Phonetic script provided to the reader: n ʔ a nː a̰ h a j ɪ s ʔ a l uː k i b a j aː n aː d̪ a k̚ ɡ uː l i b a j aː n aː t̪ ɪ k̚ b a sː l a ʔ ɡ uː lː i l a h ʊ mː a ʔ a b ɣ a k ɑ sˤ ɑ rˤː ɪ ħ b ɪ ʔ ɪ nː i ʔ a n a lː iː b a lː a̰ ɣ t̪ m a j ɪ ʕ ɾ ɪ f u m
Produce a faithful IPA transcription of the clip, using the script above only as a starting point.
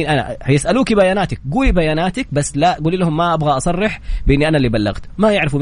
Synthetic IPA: n ʔ a n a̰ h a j ɪ s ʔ a l uː k i b a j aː n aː t̪ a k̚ ɡ uː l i b a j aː n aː t̪ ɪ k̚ b a sː l a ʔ ɡ uː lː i l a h ʊ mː a ʔ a b ɣ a ʔ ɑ sˤ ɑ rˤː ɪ ħ b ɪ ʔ ɪ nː i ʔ a n a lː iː b a lː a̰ ɣ t̪ m a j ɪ ʕ ɾ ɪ f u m